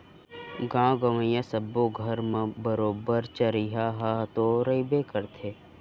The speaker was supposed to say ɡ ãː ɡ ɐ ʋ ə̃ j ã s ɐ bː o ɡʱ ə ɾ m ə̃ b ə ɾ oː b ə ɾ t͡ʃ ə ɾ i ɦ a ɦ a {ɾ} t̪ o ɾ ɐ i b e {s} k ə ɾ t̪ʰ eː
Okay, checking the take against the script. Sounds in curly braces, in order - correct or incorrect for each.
incorrect: none, incorrect: none

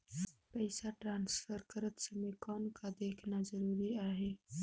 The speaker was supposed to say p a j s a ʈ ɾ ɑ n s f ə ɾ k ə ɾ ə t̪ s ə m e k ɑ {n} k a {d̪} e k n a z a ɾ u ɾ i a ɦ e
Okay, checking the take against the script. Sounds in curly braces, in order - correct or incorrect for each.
correct, correct

